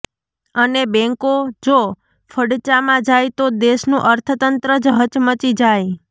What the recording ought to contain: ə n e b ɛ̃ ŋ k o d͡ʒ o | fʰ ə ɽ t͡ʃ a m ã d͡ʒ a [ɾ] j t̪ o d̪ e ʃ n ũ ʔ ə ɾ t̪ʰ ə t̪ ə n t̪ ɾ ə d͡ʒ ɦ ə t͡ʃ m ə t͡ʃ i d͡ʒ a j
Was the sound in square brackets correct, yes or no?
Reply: no